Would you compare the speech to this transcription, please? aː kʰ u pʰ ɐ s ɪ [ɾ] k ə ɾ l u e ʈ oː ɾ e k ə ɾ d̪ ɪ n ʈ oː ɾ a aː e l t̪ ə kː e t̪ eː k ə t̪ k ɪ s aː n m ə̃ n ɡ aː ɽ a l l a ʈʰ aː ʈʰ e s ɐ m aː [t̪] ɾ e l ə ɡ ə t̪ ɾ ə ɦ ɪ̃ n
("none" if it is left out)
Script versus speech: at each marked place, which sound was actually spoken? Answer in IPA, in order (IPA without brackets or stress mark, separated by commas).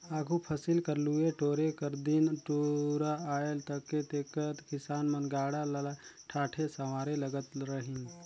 l, none